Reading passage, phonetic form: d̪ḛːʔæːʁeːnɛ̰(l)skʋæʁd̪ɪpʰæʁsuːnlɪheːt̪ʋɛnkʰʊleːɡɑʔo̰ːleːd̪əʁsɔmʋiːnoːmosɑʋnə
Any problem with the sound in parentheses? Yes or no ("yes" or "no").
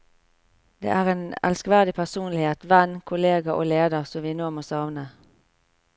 no